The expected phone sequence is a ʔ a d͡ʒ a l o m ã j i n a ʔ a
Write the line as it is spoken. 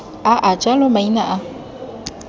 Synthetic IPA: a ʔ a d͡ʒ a l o m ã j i n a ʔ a